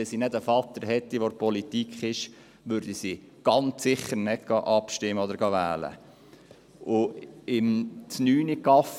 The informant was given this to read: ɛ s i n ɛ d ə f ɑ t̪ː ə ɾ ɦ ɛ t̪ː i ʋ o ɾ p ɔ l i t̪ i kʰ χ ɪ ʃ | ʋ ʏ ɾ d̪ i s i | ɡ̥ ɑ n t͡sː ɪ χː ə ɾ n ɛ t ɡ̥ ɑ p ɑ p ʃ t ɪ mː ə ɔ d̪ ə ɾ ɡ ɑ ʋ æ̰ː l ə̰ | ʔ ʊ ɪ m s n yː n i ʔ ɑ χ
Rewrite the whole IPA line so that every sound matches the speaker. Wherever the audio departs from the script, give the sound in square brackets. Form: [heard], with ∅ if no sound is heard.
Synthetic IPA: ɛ s i n ɛ d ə f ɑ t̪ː ə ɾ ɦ ɛ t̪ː i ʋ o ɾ p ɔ l i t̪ i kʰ χ ɪ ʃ | ʋ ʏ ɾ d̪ i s i | ɡ̥ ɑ n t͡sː ɪ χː ə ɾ n ɛ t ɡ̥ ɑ [ʔ] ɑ p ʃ t ɪ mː ə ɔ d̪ ə ɾ ɡ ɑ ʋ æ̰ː l ə̰ | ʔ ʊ ɪ m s n yː n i [k] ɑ [f]